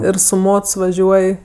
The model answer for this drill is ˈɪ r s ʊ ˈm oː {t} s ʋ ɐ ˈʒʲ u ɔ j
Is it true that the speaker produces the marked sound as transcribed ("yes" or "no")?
yes